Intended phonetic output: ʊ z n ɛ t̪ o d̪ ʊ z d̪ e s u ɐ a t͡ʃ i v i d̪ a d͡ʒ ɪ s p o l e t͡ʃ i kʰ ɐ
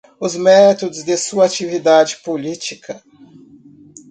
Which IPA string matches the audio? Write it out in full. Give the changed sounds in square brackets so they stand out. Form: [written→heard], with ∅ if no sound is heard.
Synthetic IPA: ʊ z [n→m] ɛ t̪ o d̪ ʊ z d̪ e s u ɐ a t͡ʃ i v i d̪ a d͡ʒ ɪ [s→∅] p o l [e→i] t͡ʃ i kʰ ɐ